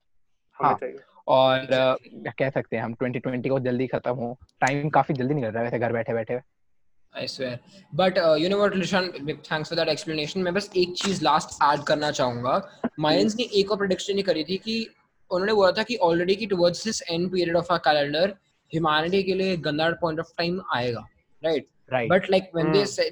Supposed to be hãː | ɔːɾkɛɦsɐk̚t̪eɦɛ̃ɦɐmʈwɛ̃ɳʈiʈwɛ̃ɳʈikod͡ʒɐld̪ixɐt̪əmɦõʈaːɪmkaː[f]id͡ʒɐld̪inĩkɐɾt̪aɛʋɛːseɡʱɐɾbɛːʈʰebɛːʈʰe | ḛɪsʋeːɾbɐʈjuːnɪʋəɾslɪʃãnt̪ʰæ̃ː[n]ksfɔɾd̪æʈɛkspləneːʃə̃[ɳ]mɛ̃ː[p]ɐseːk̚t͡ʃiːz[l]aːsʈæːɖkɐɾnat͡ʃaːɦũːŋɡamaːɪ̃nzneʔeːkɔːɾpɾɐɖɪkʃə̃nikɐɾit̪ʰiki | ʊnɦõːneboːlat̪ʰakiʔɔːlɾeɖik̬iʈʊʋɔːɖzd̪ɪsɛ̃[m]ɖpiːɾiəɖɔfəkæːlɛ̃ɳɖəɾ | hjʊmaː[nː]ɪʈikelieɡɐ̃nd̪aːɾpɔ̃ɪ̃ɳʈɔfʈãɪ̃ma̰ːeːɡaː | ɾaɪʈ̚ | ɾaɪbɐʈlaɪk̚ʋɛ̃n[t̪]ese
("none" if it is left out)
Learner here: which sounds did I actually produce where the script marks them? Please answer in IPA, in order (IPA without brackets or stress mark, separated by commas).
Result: f, ŋ, n, b, l, ɳ, n, d̪